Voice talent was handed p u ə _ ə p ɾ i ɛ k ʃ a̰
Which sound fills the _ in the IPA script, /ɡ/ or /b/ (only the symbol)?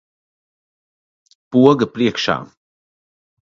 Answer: ɡ